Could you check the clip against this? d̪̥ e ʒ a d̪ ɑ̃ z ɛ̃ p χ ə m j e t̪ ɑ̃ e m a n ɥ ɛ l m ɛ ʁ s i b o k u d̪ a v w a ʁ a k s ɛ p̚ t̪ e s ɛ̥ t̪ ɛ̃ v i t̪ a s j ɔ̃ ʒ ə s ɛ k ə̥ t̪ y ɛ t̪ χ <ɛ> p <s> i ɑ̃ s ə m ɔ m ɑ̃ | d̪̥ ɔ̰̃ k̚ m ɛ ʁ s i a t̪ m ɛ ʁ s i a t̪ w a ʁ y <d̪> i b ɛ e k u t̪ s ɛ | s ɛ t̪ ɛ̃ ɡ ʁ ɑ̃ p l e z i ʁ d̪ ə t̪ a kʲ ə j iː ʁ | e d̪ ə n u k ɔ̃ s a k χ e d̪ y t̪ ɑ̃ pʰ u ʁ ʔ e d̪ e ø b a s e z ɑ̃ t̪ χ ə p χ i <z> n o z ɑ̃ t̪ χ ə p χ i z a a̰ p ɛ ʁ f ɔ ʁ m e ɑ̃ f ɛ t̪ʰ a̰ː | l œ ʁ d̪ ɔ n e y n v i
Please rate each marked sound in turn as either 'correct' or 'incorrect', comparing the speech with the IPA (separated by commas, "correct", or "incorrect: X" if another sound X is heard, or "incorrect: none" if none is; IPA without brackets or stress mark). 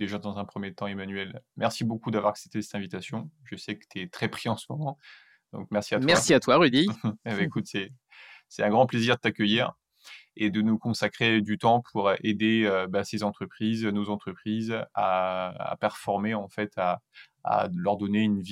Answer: correct, incorrect: χ, correct, correct